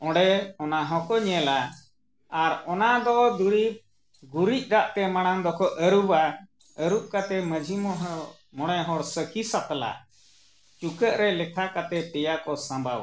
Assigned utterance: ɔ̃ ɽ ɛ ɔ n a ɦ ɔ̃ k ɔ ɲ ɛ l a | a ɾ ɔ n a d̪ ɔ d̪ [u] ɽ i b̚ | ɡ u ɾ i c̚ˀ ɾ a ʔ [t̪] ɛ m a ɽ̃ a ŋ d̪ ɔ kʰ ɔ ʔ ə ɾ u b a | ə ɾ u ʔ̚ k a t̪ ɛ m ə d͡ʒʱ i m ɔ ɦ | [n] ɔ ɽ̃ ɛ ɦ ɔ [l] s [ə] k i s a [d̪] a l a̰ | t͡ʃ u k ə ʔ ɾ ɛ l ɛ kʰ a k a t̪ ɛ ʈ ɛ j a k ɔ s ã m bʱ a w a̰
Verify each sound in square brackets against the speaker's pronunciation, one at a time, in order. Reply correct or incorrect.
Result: correct, correct, incorrect, incorrect, correct, incorrect

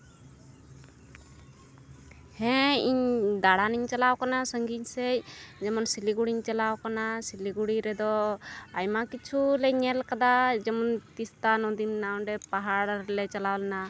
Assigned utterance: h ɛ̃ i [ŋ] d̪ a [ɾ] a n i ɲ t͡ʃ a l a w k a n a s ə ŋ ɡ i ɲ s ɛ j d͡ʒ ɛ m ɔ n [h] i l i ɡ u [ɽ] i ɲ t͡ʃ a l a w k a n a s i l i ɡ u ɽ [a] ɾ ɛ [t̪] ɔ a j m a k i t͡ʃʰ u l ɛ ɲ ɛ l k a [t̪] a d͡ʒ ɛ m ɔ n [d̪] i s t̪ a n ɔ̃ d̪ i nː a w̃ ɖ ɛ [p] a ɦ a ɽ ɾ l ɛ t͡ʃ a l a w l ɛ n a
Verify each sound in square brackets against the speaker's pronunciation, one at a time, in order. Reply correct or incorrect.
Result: incorrect, incorrect, incorrect, correct, incorrect, incorrect, incorrect, incorrect, correct

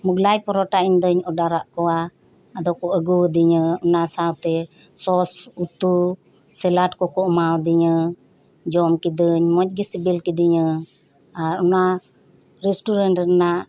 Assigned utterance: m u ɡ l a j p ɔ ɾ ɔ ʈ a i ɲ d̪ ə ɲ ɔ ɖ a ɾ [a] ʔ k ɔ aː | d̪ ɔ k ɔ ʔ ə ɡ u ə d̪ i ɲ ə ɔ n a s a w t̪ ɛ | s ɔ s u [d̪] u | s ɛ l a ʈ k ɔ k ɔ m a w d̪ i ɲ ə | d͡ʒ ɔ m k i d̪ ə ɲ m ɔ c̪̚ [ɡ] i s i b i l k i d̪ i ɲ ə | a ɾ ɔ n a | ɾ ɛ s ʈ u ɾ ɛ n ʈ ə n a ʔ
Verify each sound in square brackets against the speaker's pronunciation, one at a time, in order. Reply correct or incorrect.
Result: correct, incorrect, correct

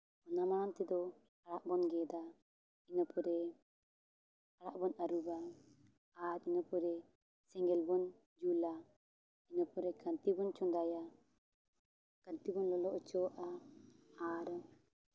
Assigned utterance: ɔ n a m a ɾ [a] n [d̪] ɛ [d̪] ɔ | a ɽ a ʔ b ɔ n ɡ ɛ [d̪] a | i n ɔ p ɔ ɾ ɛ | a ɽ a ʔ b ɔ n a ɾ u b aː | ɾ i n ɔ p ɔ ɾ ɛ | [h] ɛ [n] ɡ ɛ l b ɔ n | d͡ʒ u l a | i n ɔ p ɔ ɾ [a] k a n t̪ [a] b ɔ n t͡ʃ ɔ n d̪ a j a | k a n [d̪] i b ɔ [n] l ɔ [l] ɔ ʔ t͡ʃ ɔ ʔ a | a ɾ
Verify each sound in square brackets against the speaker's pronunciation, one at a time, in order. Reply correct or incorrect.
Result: correct, incorrect, correct, correct, incorrect, incorrect, incorrect, incorrect, incorrect, correct, correct

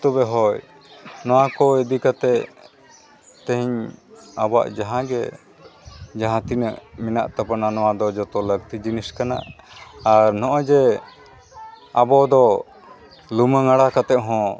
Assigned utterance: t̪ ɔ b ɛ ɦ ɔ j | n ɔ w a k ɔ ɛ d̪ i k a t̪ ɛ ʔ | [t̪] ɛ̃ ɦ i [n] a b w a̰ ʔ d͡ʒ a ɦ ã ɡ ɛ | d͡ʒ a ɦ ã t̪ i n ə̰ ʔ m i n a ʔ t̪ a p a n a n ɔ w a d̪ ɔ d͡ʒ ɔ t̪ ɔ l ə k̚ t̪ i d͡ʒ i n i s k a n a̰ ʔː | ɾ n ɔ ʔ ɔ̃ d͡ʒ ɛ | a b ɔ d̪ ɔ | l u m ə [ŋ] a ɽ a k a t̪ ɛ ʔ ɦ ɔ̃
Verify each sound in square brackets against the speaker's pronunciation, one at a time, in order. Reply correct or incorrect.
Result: correct, incorrect, correct

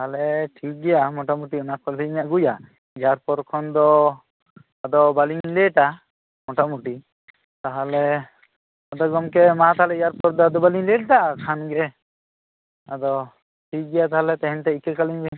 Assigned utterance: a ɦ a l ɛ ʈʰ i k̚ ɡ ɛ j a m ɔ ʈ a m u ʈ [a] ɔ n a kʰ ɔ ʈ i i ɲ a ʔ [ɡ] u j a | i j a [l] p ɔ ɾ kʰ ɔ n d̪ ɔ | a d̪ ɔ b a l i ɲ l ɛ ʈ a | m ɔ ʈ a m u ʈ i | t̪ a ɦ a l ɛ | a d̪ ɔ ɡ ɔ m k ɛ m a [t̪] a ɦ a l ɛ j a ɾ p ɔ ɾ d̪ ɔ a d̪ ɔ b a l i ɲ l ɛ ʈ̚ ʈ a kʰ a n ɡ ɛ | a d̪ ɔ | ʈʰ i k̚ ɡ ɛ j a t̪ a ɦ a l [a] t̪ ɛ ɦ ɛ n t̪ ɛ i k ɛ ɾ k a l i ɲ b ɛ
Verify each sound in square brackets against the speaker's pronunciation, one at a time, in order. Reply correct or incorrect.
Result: incorrect, correct, incorrect, correct, incorrect

